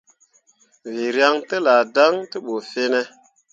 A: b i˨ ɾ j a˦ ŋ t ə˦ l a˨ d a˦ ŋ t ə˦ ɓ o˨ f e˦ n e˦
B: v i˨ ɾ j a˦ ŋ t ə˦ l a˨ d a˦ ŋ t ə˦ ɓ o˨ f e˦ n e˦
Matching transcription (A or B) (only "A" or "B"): B